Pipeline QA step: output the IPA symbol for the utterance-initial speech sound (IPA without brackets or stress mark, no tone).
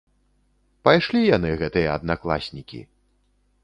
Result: p